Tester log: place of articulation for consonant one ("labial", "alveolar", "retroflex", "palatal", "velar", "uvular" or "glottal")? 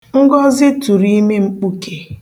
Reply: velar